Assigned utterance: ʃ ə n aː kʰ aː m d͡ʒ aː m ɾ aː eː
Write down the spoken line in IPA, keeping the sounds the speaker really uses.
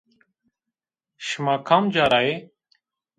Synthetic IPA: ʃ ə m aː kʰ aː m d͡ʒ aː ɾ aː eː